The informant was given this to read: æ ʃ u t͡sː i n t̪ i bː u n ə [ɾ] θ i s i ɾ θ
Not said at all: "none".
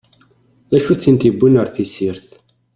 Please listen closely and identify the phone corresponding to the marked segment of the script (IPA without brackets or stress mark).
ɾ